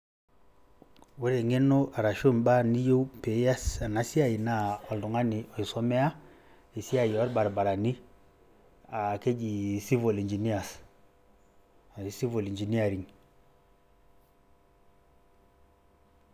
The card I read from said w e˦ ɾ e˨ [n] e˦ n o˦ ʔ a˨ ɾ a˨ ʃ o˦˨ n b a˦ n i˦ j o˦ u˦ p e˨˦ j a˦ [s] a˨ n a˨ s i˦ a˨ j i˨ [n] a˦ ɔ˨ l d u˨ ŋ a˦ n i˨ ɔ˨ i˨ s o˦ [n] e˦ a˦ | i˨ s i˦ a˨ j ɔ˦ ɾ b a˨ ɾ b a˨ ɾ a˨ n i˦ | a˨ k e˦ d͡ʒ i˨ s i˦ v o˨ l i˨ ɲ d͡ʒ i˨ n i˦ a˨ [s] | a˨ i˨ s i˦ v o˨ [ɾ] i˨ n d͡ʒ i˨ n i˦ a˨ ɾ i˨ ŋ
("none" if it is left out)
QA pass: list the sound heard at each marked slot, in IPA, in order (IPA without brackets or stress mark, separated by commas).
ŋ, s, n, m, s, l